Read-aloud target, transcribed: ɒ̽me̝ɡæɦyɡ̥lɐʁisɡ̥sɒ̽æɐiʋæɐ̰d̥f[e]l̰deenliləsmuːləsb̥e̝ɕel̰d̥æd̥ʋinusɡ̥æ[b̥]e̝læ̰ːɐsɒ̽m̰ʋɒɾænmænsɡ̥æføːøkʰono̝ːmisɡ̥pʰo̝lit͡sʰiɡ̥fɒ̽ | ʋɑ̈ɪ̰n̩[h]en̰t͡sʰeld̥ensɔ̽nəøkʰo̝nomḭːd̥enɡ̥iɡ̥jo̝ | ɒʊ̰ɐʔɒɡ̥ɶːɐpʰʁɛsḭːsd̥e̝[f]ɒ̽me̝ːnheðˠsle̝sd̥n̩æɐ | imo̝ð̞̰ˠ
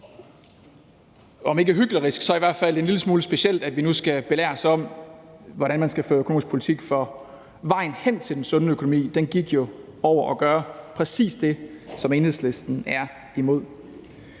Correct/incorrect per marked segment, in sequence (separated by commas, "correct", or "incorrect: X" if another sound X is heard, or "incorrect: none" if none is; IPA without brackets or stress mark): incorrect: æ, correct, correct, incorrect: s